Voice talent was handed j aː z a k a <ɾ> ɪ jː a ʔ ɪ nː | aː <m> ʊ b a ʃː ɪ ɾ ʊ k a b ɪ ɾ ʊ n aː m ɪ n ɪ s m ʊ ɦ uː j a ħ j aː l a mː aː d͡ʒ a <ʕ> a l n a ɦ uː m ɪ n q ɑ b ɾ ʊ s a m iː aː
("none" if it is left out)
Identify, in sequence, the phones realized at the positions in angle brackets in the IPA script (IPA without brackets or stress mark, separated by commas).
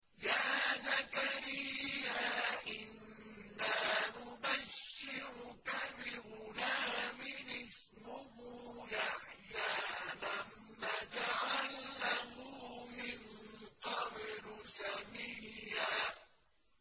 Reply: ɾ, n, ʕ